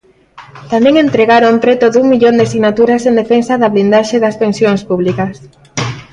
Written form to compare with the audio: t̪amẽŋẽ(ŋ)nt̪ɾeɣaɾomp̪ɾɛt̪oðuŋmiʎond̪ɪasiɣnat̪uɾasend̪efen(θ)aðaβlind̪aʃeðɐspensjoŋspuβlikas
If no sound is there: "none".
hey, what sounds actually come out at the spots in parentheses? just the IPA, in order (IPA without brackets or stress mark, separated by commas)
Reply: none, s